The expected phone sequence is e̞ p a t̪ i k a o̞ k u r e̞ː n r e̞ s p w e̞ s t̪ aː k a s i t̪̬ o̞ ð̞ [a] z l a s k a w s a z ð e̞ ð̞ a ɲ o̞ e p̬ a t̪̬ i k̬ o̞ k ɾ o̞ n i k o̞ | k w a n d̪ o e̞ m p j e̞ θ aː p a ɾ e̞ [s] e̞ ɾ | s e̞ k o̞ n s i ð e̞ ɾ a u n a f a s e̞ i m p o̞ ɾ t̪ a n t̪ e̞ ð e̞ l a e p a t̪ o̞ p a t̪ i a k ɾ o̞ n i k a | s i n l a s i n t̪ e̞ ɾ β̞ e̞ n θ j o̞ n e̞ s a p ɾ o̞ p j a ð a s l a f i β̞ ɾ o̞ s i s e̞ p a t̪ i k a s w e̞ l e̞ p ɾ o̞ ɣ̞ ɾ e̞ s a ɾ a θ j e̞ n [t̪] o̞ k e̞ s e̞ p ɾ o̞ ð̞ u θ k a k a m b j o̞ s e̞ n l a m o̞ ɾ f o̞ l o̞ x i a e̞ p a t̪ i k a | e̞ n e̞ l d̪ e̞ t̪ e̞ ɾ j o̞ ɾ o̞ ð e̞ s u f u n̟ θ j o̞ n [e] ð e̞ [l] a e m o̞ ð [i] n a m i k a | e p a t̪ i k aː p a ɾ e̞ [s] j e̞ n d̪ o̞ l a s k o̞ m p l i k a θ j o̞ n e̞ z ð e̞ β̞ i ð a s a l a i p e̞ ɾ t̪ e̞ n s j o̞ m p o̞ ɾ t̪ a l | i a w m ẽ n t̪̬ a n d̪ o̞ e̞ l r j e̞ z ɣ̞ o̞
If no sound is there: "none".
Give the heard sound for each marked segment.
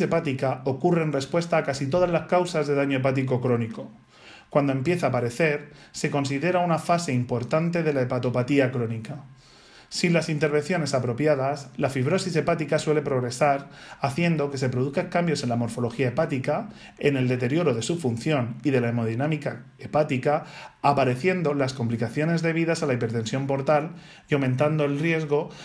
a, θ, d̪, i, l, i, θ

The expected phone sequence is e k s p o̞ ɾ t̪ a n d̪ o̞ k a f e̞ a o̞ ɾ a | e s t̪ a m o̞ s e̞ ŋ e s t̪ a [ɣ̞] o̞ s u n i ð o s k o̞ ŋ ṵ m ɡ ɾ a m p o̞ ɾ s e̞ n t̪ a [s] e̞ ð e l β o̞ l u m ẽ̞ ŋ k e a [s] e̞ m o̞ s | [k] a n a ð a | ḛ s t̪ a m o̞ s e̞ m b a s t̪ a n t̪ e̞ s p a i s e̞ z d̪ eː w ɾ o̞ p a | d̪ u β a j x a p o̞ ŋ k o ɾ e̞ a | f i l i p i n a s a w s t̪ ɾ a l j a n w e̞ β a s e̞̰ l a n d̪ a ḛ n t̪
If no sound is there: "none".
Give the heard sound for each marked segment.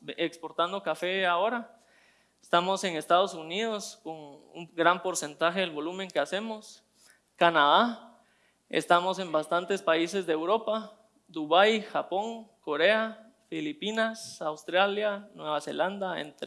ð̞, x, s, k

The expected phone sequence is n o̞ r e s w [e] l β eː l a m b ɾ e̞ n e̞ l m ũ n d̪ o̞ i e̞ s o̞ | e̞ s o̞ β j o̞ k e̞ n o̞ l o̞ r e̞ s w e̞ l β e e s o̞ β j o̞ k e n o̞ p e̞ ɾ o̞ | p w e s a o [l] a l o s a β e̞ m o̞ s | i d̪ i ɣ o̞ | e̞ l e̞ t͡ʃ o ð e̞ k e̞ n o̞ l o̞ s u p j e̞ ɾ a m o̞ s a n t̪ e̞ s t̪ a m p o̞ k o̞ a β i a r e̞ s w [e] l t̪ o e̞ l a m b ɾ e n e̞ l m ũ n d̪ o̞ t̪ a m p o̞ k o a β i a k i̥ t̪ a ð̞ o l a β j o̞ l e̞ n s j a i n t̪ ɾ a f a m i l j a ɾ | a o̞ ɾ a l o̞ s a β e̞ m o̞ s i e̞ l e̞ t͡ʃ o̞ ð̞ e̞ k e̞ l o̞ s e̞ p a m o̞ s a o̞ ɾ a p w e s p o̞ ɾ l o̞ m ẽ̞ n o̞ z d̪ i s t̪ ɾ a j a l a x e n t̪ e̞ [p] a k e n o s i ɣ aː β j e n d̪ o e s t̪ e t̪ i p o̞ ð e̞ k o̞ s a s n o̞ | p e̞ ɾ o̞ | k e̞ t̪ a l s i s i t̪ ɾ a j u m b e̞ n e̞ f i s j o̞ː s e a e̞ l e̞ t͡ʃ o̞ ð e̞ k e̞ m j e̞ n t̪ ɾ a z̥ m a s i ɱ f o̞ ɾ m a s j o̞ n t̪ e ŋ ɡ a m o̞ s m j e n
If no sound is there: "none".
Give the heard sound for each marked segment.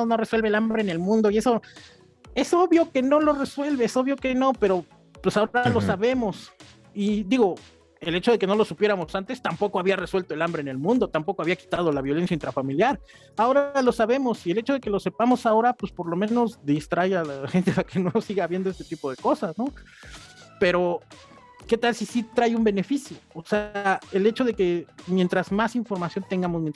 e, ɾ, e, p

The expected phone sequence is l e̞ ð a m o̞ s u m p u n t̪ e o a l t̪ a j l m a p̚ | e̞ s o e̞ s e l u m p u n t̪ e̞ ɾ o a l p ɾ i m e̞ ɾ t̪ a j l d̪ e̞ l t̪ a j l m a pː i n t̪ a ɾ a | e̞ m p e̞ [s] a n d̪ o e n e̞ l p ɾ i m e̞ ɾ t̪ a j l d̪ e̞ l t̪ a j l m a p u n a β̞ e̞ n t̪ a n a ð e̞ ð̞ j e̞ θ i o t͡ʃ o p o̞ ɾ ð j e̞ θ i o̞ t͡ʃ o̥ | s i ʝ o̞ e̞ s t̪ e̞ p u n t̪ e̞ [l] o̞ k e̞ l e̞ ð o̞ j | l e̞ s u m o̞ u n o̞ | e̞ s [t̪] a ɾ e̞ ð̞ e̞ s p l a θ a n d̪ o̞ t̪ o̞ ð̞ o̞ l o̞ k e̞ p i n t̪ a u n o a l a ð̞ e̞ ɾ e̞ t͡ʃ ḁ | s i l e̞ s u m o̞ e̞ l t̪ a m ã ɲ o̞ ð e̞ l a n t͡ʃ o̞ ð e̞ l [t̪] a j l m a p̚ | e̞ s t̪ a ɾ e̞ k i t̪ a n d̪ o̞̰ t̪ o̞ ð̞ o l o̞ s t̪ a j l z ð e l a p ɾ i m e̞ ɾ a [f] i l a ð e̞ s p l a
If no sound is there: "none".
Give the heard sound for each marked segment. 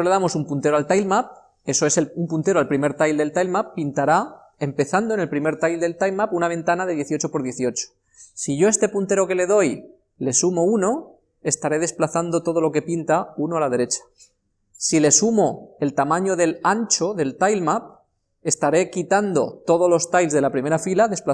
θ, ɾ, t̪, t̪, f

